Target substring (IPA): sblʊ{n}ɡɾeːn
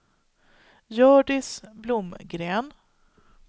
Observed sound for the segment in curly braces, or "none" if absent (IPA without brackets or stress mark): m